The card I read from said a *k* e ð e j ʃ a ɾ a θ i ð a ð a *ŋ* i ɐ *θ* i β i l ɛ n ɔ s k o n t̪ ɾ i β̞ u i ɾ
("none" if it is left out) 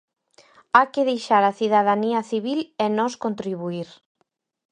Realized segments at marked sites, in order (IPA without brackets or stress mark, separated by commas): k, n, θ